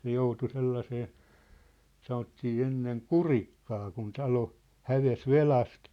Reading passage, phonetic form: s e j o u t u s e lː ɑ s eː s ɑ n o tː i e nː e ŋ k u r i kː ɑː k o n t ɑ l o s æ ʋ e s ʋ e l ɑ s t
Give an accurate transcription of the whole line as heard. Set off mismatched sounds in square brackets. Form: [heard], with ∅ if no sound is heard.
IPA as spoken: s e j o u t u s e lː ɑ s eː s ɑ n o tː [iː] e nː e ŋ k u r i kː ɑː k [u] n t ɑ l o [h] æ ʋ e s ʋ e l ɑ s t